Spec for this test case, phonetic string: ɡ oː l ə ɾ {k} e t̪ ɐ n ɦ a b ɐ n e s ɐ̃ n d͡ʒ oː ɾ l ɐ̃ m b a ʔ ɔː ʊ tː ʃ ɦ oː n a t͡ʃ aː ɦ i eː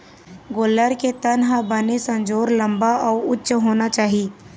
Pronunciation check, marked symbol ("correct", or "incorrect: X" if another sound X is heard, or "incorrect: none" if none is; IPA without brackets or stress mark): correct